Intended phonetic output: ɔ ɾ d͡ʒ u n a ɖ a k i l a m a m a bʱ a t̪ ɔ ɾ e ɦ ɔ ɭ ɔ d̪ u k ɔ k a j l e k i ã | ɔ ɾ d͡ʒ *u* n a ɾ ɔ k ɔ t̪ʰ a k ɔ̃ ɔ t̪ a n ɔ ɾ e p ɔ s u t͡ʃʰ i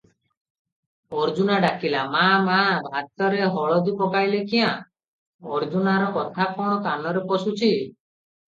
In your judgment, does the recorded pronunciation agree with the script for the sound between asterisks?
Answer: yes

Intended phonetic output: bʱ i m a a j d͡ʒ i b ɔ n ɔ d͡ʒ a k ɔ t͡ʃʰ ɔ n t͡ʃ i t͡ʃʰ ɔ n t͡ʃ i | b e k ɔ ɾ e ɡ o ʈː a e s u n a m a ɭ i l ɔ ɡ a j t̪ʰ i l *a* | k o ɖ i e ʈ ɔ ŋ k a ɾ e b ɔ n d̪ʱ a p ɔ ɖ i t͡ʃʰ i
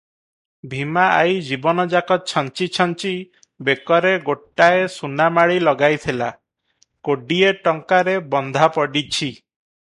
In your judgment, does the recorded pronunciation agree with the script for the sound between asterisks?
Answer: yes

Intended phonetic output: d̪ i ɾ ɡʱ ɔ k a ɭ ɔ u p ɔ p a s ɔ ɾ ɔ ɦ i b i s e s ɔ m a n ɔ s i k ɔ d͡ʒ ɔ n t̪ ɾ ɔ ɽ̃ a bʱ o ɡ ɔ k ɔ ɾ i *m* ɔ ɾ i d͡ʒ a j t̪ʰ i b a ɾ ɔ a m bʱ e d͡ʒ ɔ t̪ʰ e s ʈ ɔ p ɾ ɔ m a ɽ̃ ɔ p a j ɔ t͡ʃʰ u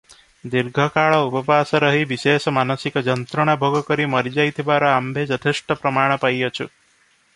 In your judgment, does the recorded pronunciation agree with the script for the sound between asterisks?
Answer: yes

